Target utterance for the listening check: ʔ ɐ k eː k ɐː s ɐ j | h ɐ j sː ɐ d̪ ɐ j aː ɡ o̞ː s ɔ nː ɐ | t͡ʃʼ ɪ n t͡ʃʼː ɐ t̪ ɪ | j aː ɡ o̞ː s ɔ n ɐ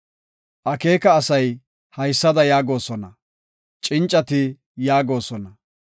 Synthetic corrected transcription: ʔ ɐ k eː k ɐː s ɐ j | h ɐ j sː ɐ d̪ ɐ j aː ɡ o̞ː s ɔ n ɐ | t͡ʃʼ ɪ n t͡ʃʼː ɐ t̪ ɪ | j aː ɡ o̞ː s ɔ n ɐ